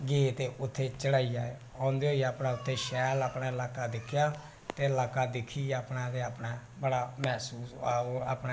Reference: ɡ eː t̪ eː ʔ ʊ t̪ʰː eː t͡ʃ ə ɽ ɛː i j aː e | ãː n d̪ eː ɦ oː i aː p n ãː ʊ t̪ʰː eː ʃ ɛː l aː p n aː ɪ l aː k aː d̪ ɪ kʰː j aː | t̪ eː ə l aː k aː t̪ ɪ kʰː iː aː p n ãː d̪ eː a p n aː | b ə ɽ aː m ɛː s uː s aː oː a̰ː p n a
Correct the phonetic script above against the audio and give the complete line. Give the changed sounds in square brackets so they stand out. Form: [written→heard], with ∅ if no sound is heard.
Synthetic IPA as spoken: ɡ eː t̪ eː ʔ ʊ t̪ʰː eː t͡ʃ ə ɽ [ɛː→aː] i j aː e | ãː n d̪ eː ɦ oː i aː p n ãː ʊ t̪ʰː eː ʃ ɛː l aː p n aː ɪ l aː k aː d̪ ɪ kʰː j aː | t̪ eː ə l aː k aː [t̪→d̪] ɪ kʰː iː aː p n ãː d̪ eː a p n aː | b ə ɽ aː m ɛː s uː s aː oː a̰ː p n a